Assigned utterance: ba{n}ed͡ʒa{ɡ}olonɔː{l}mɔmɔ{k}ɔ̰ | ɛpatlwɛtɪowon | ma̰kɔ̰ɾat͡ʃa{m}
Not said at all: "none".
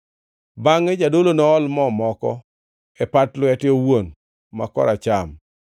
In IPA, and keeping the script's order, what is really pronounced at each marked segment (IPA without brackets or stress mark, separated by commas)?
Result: ŋ, d, l, k, m